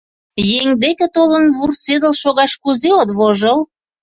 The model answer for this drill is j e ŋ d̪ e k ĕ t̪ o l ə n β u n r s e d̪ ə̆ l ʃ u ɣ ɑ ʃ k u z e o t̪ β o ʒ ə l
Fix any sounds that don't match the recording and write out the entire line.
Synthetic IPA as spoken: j e ŋ d̪ e k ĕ t̪ o l ə n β u r s e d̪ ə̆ l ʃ o ɣ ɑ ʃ k u z e o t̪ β o ʒ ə l